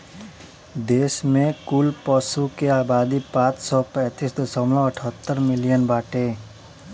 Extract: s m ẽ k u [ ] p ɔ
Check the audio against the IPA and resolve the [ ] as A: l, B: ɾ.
A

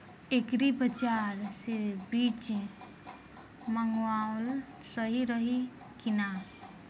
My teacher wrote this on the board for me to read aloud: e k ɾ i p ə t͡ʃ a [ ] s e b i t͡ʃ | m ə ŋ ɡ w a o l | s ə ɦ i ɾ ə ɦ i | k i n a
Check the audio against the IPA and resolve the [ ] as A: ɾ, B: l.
A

